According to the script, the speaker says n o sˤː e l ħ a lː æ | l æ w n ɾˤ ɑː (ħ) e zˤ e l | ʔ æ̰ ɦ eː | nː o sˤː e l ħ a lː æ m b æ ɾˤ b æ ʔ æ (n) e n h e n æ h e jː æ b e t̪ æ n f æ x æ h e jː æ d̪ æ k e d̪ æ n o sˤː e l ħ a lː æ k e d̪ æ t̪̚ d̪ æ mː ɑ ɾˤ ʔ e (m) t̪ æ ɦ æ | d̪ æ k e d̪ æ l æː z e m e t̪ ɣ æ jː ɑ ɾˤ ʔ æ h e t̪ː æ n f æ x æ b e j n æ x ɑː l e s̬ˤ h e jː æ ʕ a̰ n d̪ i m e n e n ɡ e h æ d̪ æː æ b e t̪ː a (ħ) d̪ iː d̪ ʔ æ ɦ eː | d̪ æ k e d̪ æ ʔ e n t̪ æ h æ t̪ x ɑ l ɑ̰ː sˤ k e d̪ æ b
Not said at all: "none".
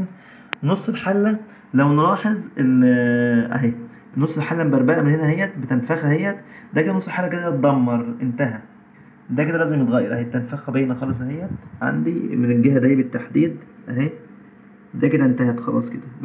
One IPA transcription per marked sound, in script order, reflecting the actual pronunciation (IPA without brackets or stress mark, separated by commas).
ħ, m, n, ħ